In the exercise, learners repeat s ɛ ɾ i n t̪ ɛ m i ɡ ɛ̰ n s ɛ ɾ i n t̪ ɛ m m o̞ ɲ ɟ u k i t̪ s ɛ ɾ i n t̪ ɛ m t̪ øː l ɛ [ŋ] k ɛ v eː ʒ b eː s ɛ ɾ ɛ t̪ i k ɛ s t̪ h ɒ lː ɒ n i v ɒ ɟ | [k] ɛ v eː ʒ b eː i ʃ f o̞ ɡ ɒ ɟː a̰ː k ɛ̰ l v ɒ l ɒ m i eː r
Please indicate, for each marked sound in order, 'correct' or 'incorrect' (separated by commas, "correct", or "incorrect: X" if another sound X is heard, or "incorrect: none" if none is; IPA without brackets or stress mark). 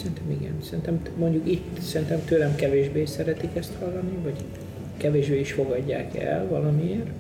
incorrect: m, correct